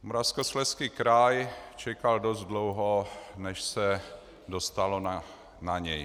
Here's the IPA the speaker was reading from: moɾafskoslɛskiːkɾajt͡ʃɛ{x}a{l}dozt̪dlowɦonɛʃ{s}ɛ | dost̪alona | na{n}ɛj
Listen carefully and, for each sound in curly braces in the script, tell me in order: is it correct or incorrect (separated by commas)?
incorrect, correct, correct, incorrect